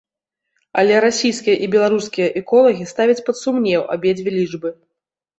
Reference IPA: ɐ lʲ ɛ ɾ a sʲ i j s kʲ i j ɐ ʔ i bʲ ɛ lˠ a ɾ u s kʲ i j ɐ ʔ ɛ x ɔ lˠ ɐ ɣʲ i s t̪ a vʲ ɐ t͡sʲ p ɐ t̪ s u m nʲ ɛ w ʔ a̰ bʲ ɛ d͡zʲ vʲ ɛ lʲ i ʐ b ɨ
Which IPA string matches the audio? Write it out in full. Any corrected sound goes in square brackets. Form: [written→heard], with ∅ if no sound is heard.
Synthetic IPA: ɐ lʲ ɛ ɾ a sʲ i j s kʲ i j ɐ ʔ i bʲ ɛ lˠ a ɾ u s kʲ i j ɐ ʔ ɛ [x→k] ɔ lˠ ɐ ɣʲ i s t̪ a vʲ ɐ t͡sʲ p ɐ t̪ s u m nʲ ɛ w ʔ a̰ bʲ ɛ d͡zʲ vʲ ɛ lʲ i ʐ b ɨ